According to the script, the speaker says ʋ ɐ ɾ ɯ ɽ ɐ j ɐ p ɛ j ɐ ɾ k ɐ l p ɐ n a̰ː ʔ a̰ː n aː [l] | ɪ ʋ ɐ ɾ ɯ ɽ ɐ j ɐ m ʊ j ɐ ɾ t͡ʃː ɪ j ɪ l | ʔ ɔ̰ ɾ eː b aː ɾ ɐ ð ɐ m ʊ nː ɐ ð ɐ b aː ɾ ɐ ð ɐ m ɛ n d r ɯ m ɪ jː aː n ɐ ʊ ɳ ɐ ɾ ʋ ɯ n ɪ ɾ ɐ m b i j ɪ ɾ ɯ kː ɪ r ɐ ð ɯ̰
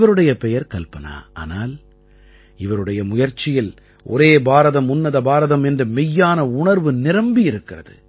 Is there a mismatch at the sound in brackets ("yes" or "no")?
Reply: no